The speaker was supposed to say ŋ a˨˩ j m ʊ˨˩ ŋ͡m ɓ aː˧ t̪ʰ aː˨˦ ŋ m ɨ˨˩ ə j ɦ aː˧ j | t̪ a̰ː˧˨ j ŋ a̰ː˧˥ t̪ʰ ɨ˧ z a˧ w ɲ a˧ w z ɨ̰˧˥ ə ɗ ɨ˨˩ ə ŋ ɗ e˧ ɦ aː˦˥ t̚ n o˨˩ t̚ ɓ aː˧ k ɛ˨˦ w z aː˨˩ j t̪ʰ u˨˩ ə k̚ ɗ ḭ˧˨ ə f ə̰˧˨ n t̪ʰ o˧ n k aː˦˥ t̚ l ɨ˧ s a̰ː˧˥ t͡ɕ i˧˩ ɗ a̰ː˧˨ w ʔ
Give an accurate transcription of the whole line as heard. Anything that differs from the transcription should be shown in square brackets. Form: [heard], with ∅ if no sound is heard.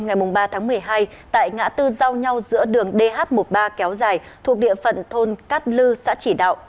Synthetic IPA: ŋ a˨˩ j m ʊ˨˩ ŋ͡m ɓ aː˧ t̪ʰ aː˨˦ ŋ m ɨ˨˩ ə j ɦ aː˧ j | t̪ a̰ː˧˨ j ŋ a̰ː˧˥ [t̪] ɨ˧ z a˧ w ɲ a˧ w z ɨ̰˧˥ ə ɗ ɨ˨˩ ə ŋ ɗ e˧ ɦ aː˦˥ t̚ [m] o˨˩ t̚ ɓ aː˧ k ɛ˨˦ w z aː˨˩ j t̪ʰ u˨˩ ə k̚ ɗ ḭ˧˨ ə f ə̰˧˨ n t̪ʰ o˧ n k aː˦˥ t̚ l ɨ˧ s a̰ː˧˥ t͡ɕ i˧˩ ɗ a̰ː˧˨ w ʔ